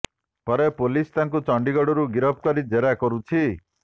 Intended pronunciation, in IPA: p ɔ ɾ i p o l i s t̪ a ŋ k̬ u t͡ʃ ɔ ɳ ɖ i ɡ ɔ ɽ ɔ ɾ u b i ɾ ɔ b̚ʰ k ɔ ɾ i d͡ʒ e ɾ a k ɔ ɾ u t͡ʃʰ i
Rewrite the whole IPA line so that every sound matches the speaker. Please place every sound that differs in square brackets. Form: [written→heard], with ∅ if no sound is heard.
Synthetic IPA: p ɔ ɾ [i→e] p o l i s t̪ a ŋ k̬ u t͡ʃ ɔ ɳ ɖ i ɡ ɔ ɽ ɔ ɾ u [b→ɡ] i ɾ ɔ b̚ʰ k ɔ ɾ i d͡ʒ e ɾ a k ɔ ɾ u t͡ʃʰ i